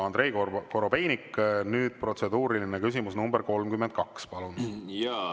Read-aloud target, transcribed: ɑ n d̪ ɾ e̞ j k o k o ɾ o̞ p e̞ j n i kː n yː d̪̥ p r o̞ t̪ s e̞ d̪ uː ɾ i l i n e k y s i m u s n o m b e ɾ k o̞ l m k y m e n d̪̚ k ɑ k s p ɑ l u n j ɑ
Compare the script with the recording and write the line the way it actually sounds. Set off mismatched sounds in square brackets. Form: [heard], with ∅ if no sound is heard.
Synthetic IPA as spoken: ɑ n d̪ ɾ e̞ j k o k o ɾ o̞ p e̞ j n i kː n yː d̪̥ p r o̞ t̪ s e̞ d̪ uː ɾ i l i n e k y s i m u s n [u] m b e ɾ k o̞ l m k y m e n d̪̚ k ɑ k s p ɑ l u n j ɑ

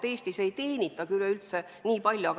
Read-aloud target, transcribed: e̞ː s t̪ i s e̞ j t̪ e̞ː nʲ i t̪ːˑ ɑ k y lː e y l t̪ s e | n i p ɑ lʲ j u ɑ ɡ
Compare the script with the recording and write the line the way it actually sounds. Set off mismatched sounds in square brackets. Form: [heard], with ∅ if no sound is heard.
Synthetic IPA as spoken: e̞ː s t̪ i s e̞ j t̪ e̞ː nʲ i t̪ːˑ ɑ k y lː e y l t̪ s e | n [iː] p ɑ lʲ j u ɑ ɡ

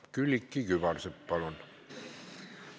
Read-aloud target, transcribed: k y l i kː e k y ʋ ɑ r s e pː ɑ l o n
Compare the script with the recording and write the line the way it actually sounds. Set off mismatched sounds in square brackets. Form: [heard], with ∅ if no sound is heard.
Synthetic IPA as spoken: k y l i kː [i] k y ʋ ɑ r s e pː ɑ l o n

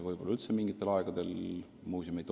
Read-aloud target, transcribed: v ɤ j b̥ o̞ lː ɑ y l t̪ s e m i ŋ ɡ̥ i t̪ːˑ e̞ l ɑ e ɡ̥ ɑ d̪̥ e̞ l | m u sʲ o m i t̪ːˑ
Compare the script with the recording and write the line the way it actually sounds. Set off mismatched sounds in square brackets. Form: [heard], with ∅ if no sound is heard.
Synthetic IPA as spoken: v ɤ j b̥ o̞ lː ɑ y l t̪ s e m i ŋ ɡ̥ i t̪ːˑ e̞ l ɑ e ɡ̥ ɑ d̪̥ e̞ l | m [uː] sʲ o m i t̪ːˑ

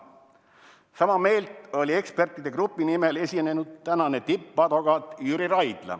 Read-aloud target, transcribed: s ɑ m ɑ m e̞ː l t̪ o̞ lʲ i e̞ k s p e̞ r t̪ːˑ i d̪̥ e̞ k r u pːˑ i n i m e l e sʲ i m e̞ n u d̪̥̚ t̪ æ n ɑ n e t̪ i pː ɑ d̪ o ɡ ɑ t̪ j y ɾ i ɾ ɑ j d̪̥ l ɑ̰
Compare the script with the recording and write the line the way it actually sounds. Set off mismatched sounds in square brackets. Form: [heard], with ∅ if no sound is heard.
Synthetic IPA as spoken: s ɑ m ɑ m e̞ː l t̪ o̞ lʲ i e̞ k s p e̞ r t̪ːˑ i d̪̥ e̞ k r u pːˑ i n i m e l e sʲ i [n] e̞ n u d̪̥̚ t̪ æ n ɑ n e t̪ i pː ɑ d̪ o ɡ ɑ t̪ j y ɾ i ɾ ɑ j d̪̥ l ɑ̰

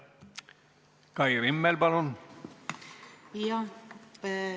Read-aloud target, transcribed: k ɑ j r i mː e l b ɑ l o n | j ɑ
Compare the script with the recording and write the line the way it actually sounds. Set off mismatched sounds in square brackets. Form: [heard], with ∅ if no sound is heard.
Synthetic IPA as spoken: k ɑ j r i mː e l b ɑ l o n | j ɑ

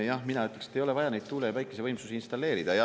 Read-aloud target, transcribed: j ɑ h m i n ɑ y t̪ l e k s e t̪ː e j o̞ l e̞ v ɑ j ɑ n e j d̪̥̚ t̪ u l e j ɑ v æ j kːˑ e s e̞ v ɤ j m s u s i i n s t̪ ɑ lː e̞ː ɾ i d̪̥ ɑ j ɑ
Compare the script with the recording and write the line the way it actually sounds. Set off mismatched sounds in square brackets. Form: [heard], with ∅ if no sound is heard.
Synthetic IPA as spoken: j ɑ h m i n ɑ y t̪ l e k s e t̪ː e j o̞ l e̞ v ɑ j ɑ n e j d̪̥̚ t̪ u l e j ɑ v æ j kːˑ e s e̞ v ɤ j m s u s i i n s t̪ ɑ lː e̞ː ɾ i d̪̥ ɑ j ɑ

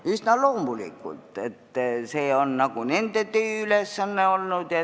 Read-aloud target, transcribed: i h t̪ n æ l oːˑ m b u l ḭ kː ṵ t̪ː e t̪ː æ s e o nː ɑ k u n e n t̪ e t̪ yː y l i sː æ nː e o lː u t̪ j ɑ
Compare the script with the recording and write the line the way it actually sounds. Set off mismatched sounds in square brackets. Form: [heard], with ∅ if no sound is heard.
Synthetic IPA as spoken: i [s] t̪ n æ l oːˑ m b u l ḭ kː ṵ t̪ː e t̪ː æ s e o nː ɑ k u n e n t̪ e t̪ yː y l [e] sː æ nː e o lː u t̪ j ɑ

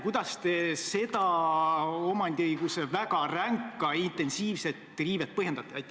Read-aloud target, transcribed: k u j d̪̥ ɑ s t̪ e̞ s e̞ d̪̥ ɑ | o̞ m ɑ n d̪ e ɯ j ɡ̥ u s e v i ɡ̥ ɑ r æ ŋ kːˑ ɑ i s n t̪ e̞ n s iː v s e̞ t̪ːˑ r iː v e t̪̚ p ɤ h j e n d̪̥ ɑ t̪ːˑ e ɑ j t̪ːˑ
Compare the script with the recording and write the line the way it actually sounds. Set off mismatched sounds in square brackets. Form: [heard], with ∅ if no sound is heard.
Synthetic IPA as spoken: k u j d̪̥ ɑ s t̪ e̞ s e̞ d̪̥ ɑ | o̞ m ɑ n d̪ [i] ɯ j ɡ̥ u s e v [æ] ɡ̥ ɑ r æ ŋ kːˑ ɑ i [∅] n t̪ e̞ n s iː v s e̞ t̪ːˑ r iː v e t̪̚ p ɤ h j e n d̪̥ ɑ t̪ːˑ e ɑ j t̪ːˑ

